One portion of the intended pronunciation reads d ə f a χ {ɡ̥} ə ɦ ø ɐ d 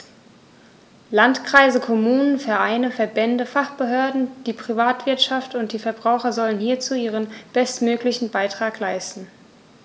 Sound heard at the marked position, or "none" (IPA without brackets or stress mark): b̥